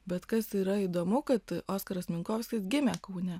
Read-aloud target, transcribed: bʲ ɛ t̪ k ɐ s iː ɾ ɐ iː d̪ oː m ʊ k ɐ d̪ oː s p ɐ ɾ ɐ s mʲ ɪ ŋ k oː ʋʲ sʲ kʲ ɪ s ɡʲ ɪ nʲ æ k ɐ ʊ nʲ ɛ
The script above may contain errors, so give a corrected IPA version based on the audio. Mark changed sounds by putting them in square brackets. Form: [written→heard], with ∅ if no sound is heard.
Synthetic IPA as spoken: bʲ ɛ t̪ k ɐ s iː ɾ ɐ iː d̪ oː m ʊ k ɐ [d̪→t̪] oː s [p→k] ɐ ɾ ɐ s mʲ ɪ ŋ k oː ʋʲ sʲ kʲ ɪ s ɡʲ ɪ [nʲ→mʲ] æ k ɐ ʊ nʲ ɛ